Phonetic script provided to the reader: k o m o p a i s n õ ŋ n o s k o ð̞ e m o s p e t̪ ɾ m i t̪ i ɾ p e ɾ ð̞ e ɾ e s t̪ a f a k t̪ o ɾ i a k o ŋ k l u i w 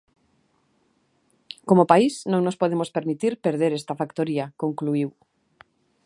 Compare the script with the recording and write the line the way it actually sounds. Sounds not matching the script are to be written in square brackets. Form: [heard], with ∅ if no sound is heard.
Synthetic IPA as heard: k o m o p a i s n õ ŋ n o s [p] o ð̞ e m o s p e [∅] ɾ m i t̪ i ɾ p e ɾ ð̞ e ɾ e s t̪ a f a k t̪ o ɾ i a k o ŋ k l u i w